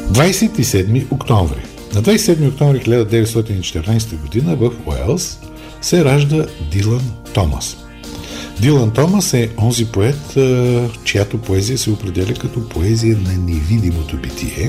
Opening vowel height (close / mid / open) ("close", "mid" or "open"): open